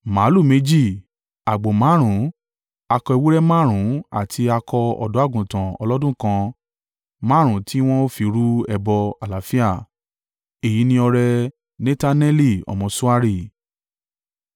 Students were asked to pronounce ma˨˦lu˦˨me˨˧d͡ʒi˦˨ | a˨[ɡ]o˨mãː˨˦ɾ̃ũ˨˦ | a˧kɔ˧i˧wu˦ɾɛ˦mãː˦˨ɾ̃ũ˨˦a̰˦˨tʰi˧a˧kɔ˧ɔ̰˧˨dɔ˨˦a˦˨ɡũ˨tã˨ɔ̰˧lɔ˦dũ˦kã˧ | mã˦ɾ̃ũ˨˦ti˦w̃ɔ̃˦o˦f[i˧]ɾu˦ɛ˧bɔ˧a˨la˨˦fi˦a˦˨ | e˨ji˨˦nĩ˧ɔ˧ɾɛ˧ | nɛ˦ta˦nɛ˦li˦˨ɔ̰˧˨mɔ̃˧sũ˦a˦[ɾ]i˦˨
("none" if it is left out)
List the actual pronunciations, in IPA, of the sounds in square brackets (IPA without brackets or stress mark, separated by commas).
ɡ͡b, i˧, ɾ